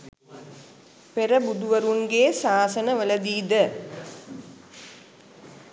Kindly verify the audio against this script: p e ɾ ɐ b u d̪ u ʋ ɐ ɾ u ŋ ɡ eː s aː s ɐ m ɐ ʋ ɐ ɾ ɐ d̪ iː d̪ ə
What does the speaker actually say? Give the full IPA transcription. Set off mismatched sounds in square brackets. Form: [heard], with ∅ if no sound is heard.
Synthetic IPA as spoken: p e ɾ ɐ b u d̪ u ʋ ɐ ɾ u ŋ ɡ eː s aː s ɐ [n] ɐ ʋ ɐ [l] ɐ d̪ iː d̪ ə